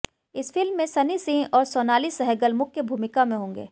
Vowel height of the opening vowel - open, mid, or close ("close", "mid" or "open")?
close